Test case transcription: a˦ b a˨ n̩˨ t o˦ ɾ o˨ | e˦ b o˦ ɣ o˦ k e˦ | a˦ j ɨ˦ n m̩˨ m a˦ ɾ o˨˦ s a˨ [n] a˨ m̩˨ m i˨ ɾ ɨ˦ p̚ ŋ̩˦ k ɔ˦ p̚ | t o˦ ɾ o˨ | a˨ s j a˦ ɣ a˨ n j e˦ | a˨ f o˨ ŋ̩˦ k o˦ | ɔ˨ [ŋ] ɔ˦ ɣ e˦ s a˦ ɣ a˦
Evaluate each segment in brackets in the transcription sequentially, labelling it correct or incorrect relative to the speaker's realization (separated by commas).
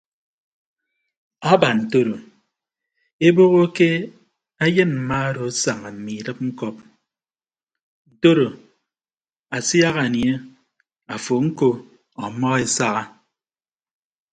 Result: incorrect, incorrect